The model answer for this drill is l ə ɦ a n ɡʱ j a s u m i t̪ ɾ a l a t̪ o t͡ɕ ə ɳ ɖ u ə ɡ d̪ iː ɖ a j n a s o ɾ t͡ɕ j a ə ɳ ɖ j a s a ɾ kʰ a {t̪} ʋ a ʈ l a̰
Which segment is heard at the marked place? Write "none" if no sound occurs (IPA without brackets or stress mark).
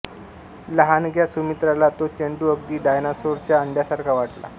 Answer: none